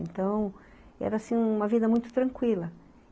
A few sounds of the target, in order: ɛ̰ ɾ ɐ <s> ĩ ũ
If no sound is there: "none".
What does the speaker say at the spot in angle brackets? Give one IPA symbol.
s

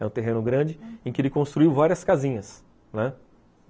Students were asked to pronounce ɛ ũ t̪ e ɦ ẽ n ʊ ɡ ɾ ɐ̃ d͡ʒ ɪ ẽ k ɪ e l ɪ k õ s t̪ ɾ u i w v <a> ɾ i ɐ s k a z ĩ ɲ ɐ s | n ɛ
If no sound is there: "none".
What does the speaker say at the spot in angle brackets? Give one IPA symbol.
a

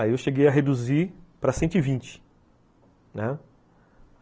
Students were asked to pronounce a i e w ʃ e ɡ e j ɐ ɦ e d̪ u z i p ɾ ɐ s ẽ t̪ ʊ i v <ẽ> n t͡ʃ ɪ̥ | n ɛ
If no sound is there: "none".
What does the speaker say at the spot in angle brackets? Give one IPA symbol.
ĩ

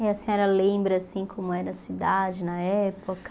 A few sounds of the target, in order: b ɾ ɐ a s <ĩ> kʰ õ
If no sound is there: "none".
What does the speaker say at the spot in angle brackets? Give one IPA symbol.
ĩ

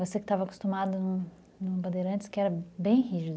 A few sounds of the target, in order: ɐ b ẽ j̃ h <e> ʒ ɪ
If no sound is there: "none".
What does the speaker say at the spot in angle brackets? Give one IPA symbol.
i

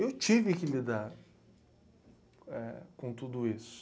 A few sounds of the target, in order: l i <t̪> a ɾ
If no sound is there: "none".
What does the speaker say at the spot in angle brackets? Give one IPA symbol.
d̪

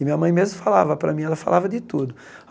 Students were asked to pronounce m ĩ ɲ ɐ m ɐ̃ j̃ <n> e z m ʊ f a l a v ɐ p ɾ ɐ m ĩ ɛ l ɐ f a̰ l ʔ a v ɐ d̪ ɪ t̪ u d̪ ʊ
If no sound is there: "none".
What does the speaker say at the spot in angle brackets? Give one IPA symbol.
m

